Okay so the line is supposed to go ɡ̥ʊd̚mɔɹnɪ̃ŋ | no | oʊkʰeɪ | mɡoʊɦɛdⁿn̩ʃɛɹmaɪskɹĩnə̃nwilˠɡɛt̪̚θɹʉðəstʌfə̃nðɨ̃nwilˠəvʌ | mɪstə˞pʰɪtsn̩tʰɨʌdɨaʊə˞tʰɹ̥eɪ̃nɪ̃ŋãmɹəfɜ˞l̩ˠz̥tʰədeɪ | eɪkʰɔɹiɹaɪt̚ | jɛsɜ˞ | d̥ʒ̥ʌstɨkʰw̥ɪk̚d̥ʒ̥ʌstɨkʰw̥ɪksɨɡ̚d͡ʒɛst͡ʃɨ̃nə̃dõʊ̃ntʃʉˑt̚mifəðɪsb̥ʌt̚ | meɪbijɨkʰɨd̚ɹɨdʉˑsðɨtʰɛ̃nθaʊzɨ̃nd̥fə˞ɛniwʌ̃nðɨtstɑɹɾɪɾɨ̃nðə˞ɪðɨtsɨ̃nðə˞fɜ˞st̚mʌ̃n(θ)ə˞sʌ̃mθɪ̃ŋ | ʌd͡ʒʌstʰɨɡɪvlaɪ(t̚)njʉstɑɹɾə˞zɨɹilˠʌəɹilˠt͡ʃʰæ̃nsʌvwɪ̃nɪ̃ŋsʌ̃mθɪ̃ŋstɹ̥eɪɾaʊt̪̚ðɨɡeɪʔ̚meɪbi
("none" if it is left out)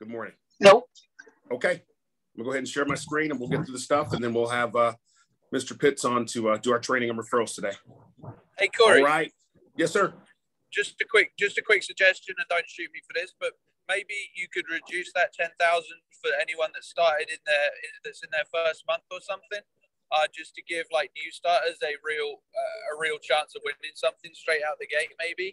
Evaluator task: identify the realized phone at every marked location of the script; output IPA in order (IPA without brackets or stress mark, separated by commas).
θ, k̚